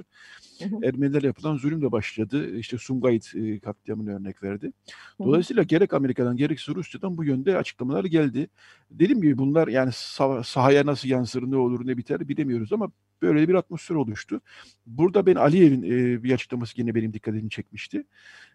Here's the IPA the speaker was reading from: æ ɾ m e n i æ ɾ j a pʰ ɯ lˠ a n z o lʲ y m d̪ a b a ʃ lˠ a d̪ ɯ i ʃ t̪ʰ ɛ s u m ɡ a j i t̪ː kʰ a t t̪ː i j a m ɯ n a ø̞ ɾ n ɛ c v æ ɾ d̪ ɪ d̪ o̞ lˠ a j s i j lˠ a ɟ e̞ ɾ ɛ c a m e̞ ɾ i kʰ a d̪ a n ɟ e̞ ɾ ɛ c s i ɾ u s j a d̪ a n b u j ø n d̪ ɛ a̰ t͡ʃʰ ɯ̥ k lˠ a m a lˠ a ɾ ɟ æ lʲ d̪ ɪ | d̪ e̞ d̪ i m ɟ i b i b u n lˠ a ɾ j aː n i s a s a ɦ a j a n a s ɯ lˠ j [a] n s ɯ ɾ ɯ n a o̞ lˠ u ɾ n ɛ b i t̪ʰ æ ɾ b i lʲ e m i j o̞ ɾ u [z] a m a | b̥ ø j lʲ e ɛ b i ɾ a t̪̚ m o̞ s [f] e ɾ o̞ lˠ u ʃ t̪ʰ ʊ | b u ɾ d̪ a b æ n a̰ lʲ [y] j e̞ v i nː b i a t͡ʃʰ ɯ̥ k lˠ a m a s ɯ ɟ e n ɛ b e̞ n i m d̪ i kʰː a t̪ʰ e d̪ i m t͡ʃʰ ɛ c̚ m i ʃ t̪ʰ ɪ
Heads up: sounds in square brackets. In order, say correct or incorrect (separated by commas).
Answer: correct, correct, correct, incorrect